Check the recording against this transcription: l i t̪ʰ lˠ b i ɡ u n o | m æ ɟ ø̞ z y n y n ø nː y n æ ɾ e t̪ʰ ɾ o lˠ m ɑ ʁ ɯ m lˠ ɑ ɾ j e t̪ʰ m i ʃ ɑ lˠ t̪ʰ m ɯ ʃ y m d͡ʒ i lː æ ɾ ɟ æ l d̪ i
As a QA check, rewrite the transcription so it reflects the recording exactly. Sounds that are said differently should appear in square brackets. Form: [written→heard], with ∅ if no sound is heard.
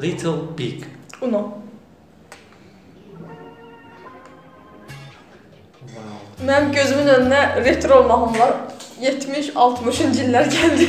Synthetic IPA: l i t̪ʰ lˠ b i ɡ u n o | m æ ɟ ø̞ z y [n→m] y n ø [nː→n] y n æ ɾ e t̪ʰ ɾ o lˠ m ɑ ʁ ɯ m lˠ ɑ ɾ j e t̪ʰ m i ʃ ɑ lˠ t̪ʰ m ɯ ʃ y [m→n] d͡ʒ i lː æ ɾ ɟ æ l d̪ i